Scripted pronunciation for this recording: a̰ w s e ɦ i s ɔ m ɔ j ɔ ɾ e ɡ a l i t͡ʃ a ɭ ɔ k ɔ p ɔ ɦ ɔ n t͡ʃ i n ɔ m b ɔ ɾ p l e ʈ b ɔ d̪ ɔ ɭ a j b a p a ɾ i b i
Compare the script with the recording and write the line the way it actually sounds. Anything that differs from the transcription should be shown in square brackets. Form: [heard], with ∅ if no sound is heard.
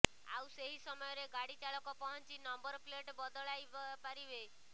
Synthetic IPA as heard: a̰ w s e ɦ i s ɔ m ɔ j ɔ ɾ e ɡ a [ɽ] i t͡ʃ a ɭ ɔ k ɔ p ɔ ɦ ɔ n t͡ʃ i n ɔ m b ɔ ɾ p l e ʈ b ɔ d̪ ɔ ɭ a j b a p a ɾ i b [e]

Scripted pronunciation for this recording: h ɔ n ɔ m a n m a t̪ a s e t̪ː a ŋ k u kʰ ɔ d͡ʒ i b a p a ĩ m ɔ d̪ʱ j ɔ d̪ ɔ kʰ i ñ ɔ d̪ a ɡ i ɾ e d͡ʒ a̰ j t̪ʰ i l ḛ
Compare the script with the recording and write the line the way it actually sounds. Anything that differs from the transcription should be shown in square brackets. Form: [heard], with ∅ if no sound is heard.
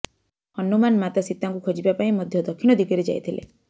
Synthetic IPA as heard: h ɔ n [u] m a n m a t̪ a s [i] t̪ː a ŋ k u kʰ ɔ d͡ʒ i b a p a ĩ m ɔ d̪ʱ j ɔ d̪ ɔ kʰ i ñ ɔ d̪ [i] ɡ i ɾ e d͡ʒ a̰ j t̪ʰ i l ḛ

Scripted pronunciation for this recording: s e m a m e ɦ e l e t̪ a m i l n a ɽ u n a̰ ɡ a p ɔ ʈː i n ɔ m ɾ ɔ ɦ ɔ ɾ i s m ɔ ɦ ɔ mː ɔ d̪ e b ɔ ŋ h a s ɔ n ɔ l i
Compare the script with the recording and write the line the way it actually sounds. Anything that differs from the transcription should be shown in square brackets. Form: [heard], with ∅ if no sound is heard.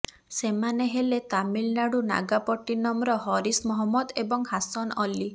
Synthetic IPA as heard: s e m a [n] e ɦ e l e t̪ a m i l n a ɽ u n a̰ ɡ a p ɔ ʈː i n ɔ m ɾ ɔ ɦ ɔ ɾ i s m ɔ ɦ ɔ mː ɔ d̪ e b ɔ ŋ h a s ɔ n ɔ l i

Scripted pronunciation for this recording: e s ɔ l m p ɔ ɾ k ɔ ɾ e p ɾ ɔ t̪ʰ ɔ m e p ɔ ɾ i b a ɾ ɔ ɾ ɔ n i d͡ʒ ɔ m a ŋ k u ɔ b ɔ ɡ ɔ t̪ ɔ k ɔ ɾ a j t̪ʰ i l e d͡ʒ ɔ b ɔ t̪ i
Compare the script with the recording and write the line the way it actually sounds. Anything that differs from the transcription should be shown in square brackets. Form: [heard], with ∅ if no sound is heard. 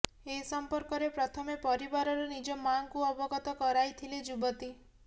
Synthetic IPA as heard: e s ɔ [∅] m p ɔ ɾ k ɔ ɾ e p ɾ ɔ t̪ʰ ɔ m e p ɔ ɾ i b a ɾ ɔ ɾ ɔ n i d͡ʒ ɔ m a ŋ k u ɔ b ɔ ɡ ɔ t̪ ɔ k ɔ ɾ a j t̪ʰ i l e d͡ʒ [u] b ɔ t̪ i

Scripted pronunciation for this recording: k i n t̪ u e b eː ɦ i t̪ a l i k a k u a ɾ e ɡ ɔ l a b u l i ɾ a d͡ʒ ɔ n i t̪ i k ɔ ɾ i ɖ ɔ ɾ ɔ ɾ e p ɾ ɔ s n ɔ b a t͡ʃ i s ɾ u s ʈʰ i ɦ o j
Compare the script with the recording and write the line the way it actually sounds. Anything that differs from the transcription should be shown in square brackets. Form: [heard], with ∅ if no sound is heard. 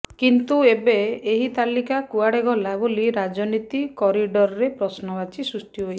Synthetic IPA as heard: k i n t̪ u e b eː ɦ i t̪ a l i k a k u a [ɽ] e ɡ ɔ l a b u l i ɾ a d͡ʒ ɔ n i t̪ i k ɔ ɾ i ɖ ɔ ɾ ɔ ɾ e p ɾ ɔ s n ɔ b a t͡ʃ i s ɾ u s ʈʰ i ɦ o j

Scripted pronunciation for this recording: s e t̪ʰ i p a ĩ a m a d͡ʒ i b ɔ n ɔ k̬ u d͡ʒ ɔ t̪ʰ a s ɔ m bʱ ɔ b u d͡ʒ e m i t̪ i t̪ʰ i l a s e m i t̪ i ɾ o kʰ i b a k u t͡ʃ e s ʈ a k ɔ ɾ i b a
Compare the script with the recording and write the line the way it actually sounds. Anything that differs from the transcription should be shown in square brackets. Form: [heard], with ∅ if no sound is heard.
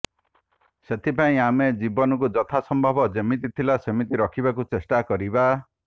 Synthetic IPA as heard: s e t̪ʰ i p a ĩ a m [e] d͡ʒ i b ɔ n ɔ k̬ u d͡ʒ ɔ t̪ʰ a s ɔ m bʱ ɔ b [ɔ] d͡ʒ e m i t̪ i t̪ʰ i l a s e m i t̪ i ɾ [ɔ] kʰ i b a k u t͡ʃ e s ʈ a k ɔ ɾ i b a

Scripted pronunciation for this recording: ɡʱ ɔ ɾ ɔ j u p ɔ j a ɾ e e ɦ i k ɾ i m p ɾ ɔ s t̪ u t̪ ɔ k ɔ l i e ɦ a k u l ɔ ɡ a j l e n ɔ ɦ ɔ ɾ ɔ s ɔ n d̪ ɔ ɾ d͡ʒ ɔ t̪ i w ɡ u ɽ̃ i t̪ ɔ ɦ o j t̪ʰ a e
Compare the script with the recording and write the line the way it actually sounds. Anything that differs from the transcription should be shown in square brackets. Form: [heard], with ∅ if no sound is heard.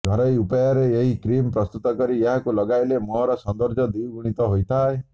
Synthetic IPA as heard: ɡʱ ɔ ɾ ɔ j u p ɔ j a ɾ e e ɦ i k ɾ i m p ɾ ɔ s t̪ u t̪ ɔ k ɔ [ɾ] i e ɦ a k u l ɔ ɡ a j l e [m] ɔ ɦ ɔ ɾ ɔ s ɔ n d̪ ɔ ɾ d͡ʒ ɔ [d̪] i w ɡ u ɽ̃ i t̪ ɔ ɦ o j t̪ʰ a e

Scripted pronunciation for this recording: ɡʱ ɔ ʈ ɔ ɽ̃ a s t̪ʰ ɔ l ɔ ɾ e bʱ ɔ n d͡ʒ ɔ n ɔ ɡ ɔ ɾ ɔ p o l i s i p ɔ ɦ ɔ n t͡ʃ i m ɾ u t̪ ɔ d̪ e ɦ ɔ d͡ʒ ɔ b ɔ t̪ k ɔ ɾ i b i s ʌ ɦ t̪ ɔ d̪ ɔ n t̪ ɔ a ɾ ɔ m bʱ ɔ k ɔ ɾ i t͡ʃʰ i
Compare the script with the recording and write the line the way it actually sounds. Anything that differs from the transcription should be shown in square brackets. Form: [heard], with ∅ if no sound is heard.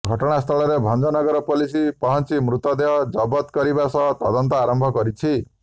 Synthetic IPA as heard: ɡʱ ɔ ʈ ɔ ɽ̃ a s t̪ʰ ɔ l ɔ ɾ e bʱ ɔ n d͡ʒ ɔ n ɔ ɡ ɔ ɾ ɔ p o l i s i p ɔ ɦ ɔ n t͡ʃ i m ɾ u t̪ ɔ d̪ e ɦ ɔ d͡ʒ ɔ b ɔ t̪ k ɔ ɾ i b [a] s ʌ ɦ t̪ ɔ d̪ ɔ n t̪ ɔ a ɾ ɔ m bʱ ɔ k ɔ ɾ i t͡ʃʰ i

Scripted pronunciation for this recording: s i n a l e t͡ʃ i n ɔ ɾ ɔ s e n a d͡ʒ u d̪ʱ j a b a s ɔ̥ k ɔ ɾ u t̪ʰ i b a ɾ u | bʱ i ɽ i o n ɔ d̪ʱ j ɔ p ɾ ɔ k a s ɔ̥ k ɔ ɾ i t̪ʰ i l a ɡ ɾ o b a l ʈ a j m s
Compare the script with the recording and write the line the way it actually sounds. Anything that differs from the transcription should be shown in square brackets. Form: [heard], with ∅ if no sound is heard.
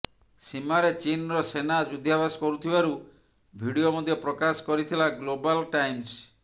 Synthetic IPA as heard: s i [m] a [ɾ] e t͡ʃ i n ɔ ɾ ɔ s e n a d͡ʒ u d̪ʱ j a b a s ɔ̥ k ɔ ɾ u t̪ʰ i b a ɾ u | bʱ i ɽ i o [m] ɔ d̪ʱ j ɔ p ɾ ɔ k a s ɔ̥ k ɔ ɾ i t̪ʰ i l a ɡ [l] o b a l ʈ a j m s

